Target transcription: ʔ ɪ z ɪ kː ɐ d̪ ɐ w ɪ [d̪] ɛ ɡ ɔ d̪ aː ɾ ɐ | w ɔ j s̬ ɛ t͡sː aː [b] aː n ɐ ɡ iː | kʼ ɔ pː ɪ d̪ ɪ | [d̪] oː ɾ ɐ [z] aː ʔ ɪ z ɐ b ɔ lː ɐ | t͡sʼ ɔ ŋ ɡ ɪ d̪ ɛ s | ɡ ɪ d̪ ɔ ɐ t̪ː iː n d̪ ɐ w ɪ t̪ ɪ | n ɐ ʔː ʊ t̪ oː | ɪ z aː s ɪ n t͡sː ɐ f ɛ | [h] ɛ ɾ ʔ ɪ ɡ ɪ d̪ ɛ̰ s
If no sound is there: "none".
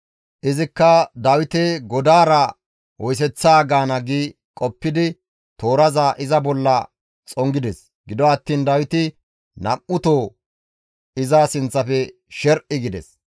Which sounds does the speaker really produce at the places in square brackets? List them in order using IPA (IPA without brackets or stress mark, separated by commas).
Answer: t̪, ɡ, t̪, z, ʃ